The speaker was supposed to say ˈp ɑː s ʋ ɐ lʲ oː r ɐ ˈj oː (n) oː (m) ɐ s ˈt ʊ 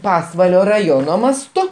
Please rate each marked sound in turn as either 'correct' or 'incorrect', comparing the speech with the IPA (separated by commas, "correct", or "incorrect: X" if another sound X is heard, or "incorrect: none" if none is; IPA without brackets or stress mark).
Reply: correct, correct